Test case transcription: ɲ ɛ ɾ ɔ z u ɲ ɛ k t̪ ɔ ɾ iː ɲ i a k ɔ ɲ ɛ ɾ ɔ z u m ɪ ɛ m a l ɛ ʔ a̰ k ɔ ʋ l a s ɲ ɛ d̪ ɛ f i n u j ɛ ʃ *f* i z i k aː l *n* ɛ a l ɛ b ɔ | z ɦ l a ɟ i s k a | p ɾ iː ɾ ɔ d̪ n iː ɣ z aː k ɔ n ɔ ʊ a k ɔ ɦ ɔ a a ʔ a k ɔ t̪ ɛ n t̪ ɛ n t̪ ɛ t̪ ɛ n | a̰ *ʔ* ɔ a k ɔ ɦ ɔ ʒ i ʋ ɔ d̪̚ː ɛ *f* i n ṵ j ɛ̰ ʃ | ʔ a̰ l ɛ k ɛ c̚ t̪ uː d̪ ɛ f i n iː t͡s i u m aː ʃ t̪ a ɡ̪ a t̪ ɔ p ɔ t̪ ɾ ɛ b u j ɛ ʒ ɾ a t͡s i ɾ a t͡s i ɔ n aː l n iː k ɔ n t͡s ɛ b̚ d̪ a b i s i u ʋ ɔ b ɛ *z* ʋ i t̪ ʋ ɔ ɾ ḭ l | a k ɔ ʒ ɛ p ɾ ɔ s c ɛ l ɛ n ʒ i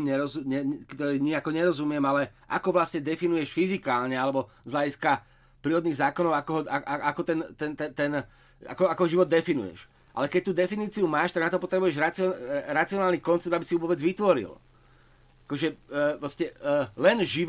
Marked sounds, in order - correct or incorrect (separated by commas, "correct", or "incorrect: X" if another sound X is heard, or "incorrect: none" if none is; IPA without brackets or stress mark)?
correct, incorrect: ɲ, incorrect: k, correct, incorrect: d͡z